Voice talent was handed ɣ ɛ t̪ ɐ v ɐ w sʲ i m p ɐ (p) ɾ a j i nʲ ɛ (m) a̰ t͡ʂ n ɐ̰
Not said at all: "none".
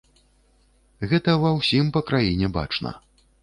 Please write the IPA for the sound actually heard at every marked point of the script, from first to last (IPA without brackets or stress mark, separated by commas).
k, b